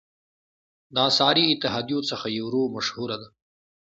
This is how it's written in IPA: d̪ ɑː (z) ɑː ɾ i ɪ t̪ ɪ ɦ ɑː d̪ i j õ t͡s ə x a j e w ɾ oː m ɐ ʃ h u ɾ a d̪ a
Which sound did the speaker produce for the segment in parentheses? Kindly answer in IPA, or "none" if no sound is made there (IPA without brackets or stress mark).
s